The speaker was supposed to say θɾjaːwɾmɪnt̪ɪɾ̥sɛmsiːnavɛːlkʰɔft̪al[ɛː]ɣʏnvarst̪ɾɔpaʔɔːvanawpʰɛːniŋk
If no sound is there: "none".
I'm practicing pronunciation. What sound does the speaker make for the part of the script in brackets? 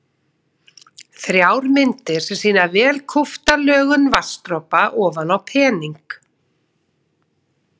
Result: œː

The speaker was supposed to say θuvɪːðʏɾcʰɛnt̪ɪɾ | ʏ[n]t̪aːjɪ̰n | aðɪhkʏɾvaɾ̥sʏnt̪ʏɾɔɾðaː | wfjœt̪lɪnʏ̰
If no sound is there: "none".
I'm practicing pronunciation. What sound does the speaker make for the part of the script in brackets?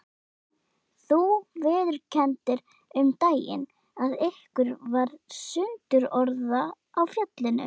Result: m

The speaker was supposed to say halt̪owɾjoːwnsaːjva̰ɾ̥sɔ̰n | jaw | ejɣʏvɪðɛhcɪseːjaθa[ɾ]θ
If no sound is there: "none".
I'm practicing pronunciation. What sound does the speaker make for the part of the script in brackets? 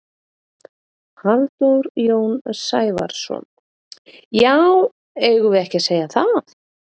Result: none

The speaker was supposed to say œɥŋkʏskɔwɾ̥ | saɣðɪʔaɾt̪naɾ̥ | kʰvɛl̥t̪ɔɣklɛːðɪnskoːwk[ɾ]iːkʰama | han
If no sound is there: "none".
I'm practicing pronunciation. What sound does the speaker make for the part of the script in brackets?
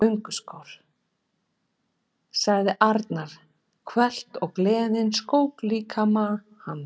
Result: l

